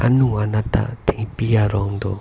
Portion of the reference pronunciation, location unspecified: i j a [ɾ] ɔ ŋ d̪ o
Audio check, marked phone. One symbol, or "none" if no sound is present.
ɾ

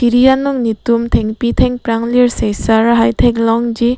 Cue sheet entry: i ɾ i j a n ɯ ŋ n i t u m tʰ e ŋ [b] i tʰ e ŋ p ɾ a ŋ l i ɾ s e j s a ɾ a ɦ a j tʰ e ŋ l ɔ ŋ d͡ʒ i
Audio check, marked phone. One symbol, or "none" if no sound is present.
p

